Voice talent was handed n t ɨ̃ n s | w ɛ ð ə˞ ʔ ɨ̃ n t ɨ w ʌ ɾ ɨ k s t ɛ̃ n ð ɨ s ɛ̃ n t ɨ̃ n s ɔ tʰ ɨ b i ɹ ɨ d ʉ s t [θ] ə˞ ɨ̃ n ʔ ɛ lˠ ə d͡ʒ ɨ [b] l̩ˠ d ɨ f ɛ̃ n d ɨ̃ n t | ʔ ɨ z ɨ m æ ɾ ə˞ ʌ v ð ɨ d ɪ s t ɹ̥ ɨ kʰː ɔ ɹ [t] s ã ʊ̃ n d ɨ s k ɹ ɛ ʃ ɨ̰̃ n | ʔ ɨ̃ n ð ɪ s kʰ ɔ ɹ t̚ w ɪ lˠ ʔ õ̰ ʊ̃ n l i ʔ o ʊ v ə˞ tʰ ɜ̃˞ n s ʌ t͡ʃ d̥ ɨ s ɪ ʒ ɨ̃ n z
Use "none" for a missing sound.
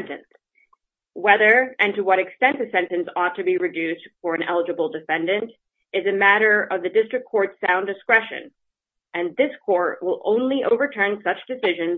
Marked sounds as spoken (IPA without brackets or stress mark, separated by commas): f, b, t